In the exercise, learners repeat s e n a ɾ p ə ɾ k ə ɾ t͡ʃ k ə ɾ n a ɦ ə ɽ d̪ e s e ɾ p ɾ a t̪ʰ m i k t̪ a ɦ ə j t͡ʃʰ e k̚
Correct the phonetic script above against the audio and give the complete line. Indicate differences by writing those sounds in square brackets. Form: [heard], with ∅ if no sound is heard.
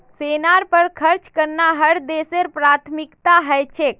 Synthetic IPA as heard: s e n a ɾ p ə ɾ [kʰ] ə ɾ t͡ʃ k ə ɾ n a ɦ ə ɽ d̪ e s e ɾ p ɾ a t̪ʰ m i k t̪ a ɦ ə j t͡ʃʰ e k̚